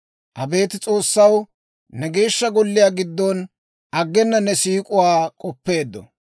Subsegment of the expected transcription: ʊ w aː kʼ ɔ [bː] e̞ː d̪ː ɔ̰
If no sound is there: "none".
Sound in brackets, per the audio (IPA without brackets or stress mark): pː